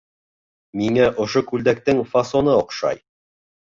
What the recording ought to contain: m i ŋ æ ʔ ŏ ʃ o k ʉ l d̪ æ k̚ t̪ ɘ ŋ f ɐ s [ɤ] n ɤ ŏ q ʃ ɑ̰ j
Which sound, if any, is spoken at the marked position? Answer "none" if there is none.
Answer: o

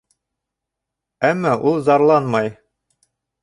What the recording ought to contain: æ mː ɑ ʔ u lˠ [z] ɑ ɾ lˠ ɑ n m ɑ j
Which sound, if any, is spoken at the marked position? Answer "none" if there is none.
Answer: z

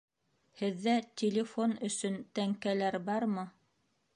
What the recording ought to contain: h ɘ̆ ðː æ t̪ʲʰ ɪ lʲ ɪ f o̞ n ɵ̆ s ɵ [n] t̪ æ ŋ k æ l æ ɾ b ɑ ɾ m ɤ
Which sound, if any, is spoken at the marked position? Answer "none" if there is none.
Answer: n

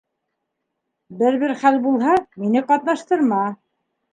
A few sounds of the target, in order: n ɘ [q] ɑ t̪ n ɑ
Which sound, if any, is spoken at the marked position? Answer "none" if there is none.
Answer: q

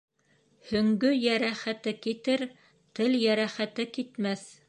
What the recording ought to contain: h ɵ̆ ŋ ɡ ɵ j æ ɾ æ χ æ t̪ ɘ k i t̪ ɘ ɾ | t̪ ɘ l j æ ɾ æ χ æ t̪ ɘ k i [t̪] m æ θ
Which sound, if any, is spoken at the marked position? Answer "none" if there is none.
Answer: t̪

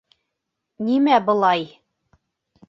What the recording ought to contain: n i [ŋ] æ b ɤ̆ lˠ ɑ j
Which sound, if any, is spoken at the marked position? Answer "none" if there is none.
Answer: m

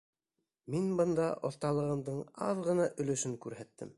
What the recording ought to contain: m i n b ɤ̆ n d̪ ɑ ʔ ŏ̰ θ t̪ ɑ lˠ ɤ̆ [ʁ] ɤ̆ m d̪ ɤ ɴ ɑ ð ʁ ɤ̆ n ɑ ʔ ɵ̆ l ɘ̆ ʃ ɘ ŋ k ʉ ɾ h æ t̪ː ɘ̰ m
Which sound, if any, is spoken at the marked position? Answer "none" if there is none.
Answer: ʁ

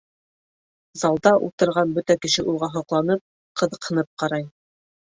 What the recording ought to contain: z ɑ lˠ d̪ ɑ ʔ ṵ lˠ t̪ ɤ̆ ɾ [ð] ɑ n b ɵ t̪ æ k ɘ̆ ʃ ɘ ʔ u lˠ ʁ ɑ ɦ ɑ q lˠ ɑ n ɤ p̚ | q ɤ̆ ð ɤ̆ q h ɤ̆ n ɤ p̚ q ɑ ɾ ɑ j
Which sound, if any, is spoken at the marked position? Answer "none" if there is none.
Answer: ʁ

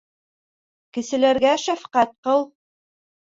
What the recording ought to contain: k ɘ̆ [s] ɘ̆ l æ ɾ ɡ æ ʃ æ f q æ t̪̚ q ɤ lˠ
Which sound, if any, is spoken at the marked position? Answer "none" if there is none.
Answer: s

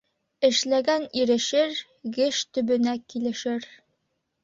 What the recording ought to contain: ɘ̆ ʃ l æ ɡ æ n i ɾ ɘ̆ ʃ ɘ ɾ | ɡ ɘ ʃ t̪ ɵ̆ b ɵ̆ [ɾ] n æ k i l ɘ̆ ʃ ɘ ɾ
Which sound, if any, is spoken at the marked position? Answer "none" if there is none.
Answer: none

